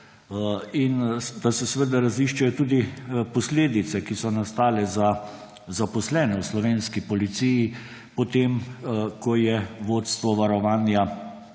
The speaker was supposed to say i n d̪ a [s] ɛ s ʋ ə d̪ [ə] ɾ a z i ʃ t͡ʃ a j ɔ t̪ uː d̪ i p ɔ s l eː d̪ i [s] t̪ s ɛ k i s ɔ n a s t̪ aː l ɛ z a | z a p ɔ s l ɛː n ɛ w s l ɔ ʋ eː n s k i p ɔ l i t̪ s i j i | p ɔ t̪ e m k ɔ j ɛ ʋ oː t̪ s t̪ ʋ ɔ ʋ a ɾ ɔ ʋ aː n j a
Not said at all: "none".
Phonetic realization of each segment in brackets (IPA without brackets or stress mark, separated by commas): s, a, none